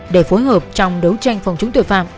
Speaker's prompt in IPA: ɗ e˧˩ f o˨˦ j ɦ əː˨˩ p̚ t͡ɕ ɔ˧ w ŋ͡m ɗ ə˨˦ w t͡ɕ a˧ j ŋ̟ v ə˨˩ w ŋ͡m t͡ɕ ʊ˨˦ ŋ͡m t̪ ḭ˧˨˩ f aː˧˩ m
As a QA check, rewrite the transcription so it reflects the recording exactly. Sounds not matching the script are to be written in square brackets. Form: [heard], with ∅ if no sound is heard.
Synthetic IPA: ɗ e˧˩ f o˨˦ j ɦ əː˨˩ p̚ t͡ɕ ɔ˧ w ŋ͡m ɗ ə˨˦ w t͡ɕ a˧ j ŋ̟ [f] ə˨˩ w ŋ͡m t͡ɕ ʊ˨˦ ŋ͡m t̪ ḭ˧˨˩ f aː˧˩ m